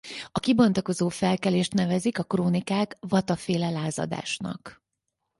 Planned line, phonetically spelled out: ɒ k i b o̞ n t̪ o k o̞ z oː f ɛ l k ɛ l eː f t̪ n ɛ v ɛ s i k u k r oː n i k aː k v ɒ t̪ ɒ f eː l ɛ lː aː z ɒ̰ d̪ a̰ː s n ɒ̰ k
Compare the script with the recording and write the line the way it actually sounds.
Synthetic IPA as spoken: ɒ k i b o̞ n t̪ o k o̞ z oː f ɛ l k ɛ l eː ʃ t̪ n ɛ v ɛ z i k ɒ k r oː n i k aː k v ɒ t̪ ɒ f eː l ɛ l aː z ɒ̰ d̪ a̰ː ʃ n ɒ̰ k

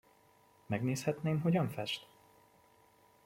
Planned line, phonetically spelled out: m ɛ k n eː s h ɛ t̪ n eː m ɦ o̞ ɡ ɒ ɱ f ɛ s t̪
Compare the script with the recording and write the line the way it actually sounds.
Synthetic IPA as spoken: m ɛ ɡ n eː s h ɛ t̪ n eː m ɦ o̞ ɟ ɒ ɱ f ɛ ʃ t̪

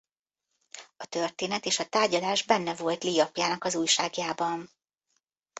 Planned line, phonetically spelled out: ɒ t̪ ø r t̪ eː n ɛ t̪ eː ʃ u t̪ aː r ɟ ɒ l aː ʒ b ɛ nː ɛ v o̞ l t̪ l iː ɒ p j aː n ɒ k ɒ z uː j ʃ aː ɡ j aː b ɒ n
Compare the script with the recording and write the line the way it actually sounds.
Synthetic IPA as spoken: ɒ t̪ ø r t̪ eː n ɛ t̪ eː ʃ ɒ t̪ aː r ɟ ɒ l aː ʒ b ɛ nː ɛ v o̞ l t̪ l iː ɒ p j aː n ɒ k ɒ z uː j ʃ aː ɡ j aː b ɒ n

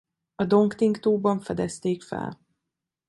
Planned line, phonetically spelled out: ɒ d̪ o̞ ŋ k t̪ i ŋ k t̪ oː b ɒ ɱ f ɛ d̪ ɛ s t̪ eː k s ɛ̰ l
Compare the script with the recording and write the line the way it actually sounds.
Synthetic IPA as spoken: ɒ d̪ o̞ ŋ k t̪ i ŋ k t̪ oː b ɒ ɱ f ɛ d̪ ɛ s t̪ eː k f ɛ̰ l

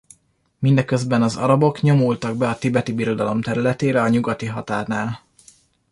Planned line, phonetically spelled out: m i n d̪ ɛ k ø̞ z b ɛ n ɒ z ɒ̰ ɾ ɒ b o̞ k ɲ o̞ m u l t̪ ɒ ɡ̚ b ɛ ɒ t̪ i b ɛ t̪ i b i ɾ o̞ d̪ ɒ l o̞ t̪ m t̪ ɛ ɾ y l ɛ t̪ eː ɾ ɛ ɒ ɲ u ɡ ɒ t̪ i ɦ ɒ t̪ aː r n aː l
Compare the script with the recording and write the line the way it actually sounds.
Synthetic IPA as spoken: m i n d̪ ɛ k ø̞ z b ɛ n ɒ z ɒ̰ ɾ ɒ b o̞ k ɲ o̞ m u l t̪ ɒ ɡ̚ b ɛ ɒ t̪ i b ɛ t̪ i b i ɾ o̞ d̪ ɒ l o̞ m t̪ ɛ ɾ y l ɛ t̪ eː ɾ ɛ ɒ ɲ u ɡ ɒ t̪ i ɦ ɒ t̪ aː r n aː l

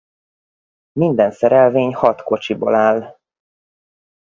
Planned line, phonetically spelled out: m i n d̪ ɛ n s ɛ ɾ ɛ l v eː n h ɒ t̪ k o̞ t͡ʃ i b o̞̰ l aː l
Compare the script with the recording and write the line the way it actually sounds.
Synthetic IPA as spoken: m i n d̪ ɛ n s ɛ ɾ ɛ l v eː ɲ h ɒ t̪ k o̞ t͡ʃ i b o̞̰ l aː l

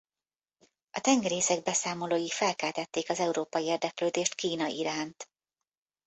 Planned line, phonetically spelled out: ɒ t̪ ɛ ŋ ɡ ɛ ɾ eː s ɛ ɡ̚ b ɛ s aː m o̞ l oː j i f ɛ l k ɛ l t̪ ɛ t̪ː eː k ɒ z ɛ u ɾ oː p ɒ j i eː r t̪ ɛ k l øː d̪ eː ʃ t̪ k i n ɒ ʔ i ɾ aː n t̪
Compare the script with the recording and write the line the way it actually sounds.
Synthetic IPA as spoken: ɒ t̪ ɛ ŋ ɡ ɛ ɾ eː s ɛ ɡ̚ b ɛ s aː m o̞ l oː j i f ɛ l k ɛ l t̪ ɛ t̪ː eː k ɒ z ɛ u ɾ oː p ɒ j i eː r d̪ ɛ k l øː d̪ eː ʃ t̪ k iː n ɒ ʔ i ɾ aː n t̪

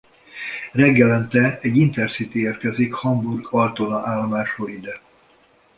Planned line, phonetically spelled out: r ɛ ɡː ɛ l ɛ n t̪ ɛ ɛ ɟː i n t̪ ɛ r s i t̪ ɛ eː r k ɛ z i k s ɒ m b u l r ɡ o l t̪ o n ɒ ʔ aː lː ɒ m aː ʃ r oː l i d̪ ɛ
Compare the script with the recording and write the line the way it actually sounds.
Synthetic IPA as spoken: r ɛ ɡː ɛ l ɛ n t̪ ɛ ɛ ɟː i n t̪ ɛ r s i t̪ i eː r k ɛ z i k h ɒ m b u r ɡ ɒ l t̪ o n ɒ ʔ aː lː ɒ m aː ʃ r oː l i d̪ ɛ

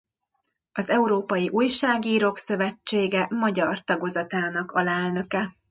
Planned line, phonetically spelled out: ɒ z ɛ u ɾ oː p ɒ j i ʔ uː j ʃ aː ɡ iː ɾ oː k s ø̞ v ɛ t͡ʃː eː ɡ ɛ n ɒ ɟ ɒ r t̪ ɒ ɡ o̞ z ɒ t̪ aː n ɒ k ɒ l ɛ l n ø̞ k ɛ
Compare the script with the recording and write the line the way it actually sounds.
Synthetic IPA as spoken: ɒ z ɛ u ɾ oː p ɒ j i ʔ uː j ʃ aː ɡ iː ɾ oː k s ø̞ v ɛ t͡ʃː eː ɡ ɛ m ɒ ɟ ɒ r t̪ ɒ ɡ o̞ z ɒ t̪ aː n ɒ k ɒ l ɛ l n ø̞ k ɛ

